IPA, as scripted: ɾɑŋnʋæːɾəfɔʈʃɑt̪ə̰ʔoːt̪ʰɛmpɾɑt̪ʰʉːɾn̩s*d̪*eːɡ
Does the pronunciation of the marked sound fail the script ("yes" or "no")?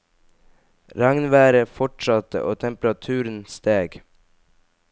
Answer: yes